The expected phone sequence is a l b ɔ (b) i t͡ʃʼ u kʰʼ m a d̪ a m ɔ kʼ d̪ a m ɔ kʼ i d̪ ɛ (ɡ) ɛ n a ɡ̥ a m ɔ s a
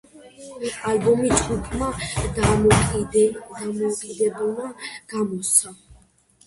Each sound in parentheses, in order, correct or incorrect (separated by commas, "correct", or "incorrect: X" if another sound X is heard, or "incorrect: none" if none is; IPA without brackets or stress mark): incorrect: m, incorrect: b